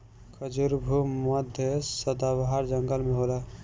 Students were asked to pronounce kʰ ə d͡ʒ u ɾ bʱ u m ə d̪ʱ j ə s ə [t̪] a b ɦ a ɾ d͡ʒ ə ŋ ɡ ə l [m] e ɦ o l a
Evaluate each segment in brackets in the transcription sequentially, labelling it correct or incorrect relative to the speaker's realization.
incorrect: d̪, correct

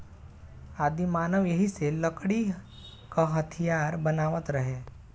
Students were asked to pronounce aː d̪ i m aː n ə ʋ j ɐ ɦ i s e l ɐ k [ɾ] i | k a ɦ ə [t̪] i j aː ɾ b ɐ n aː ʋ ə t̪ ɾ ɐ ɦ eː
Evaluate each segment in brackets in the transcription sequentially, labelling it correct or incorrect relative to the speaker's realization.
incorrect: ɽ, incorrect: t̪ʰ

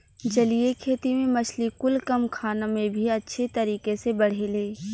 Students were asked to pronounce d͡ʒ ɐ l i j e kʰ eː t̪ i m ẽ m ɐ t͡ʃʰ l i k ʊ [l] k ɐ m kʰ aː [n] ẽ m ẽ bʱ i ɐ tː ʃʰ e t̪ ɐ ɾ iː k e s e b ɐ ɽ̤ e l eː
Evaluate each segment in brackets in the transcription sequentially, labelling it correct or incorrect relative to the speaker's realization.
correct, correct

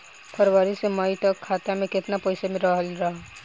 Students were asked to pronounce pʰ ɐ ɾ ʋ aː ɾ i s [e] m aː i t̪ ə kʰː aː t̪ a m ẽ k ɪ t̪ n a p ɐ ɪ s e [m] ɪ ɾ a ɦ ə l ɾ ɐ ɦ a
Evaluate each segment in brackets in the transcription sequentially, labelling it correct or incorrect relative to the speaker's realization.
correct, correct

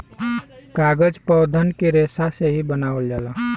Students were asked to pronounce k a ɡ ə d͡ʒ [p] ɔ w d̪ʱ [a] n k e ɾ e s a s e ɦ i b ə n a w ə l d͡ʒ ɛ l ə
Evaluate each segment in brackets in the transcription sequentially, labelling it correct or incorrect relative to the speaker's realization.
correct, incorrect: ə

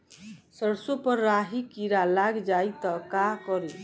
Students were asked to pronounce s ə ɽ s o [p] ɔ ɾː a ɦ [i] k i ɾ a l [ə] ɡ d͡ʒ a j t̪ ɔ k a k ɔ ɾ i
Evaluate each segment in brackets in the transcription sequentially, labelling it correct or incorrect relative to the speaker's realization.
correct, correct, incorrect: a

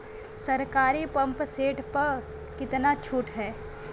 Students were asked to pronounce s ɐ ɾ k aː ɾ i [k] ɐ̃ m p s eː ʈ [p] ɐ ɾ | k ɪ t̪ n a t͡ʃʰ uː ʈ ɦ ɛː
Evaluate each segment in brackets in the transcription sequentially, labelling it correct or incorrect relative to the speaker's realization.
incorrect: p, correct

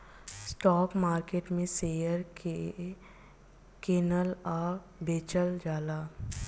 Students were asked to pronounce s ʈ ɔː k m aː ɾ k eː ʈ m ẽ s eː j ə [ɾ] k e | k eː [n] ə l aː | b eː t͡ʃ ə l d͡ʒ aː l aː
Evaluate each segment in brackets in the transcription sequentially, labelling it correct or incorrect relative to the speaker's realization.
correct, correct

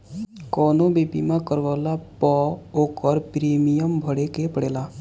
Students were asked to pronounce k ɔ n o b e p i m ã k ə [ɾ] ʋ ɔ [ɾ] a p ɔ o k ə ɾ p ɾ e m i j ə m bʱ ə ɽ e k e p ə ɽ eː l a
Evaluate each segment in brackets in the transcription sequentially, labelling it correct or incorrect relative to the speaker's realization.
correct, incorrect: l

